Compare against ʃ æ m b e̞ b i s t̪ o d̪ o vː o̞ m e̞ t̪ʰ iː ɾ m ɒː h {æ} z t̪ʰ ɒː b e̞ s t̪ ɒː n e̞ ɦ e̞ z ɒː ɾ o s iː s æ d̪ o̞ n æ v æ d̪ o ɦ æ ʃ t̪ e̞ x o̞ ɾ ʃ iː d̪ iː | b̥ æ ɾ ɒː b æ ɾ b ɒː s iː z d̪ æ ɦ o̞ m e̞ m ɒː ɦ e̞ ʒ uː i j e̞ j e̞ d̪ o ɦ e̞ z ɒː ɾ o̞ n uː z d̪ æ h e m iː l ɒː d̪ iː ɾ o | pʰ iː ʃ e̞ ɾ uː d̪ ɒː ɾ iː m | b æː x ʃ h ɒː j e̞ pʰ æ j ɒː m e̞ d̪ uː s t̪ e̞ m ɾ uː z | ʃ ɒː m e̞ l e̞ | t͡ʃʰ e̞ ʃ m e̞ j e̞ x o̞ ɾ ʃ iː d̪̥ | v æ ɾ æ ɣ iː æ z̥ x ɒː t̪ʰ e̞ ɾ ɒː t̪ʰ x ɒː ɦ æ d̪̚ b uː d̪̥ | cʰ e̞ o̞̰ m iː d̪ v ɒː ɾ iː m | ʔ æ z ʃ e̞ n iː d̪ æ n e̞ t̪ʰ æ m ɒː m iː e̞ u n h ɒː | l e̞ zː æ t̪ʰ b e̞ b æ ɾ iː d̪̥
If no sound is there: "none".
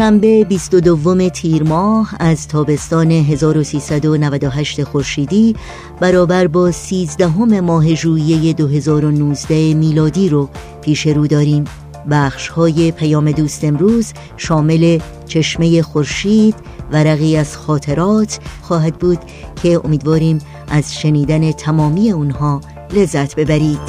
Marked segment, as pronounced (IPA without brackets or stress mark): æ